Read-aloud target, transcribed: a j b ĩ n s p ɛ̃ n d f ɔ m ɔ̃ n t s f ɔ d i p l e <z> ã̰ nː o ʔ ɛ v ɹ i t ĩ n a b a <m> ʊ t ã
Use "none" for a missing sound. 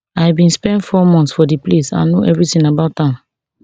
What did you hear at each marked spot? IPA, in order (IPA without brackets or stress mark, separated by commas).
s, none